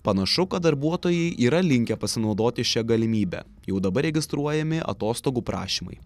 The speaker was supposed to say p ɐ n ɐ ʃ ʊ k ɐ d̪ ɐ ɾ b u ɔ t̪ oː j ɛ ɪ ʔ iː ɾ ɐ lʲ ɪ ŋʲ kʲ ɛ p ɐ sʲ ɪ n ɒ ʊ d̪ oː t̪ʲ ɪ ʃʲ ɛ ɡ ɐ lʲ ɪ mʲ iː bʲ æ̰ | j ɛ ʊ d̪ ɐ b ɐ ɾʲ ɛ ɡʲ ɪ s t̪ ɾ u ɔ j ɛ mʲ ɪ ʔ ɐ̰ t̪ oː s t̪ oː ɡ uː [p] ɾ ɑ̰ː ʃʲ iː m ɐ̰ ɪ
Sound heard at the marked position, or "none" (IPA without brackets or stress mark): p